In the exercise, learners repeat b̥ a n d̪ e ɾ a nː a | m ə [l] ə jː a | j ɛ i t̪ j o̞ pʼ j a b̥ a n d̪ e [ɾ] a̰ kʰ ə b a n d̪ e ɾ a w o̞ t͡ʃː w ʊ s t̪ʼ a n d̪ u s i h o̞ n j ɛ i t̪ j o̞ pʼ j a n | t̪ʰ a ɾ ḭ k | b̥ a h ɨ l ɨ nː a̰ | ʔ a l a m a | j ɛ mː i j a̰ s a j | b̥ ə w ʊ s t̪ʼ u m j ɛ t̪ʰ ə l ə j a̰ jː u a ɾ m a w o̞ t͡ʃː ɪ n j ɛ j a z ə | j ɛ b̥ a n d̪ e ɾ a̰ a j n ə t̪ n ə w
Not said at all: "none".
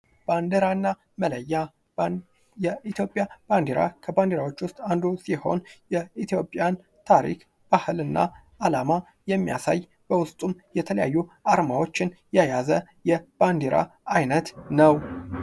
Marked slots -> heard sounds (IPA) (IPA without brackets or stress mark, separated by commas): l, ɾ